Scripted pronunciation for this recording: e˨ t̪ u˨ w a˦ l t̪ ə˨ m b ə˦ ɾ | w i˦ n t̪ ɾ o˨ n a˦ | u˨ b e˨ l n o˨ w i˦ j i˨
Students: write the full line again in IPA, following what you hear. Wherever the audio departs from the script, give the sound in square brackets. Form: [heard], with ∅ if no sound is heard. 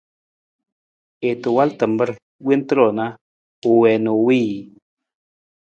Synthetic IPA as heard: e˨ t̪ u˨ w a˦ l t̪ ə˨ m b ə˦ ɾ | w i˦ n t̪ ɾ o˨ n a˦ | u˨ [w] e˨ [∅] n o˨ w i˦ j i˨